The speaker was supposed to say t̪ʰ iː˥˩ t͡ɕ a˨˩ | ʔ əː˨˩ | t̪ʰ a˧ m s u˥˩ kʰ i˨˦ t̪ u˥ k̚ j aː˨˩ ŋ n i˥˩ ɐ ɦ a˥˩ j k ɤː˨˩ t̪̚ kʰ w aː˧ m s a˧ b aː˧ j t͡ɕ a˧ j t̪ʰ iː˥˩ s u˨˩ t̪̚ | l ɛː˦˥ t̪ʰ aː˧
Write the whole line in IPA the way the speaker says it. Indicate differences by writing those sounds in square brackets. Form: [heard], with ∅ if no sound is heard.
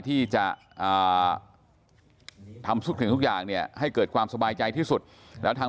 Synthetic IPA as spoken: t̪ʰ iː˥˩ t͡ɕ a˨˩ | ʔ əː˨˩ | t̪ʰ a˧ m s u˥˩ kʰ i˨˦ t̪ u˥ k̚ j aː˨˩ ŋ n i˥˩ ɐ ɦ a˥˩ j k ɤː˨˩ t̪̚ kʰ w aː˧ m s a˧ b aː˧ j t͡ɕ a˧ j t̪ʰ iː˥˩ s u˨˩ t̪̚ | l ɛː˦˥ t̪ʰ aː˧